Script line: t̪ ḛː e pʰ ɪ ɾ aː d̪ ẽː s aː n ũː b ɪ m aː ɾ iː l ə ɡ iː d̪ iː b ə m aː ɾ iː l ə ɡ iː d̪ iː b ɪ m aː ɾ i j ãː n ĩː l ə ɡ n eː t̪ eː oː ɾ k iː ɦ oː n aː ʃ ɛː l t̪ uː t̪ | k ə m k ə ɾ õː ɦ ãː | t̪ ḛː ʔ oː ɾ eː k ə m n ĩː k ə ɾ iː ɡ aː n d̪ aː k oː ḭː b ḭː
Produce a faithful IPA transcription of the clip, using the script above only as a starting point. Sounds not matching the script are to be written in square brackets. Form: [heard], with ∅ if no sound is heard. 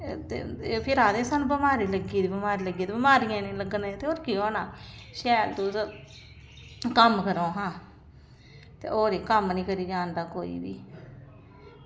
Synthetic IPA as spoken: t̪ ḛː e pʰ ɪ ɾ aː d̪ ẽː s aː n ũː b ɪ m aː ɾ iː l ə ɡ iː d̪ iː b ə m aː ɾ iː l ə ɡ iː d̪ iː b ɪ m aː ɾ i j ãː n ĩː l ə ɡ n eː t̪ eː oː ɾ k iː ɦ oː n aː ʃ ɛː l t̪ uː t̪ | k ə m k ə ɾ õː ɦ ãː | t̪ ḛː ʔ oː ɾ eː k ə m n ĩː k ə ɾ iː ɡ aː n d̪ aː k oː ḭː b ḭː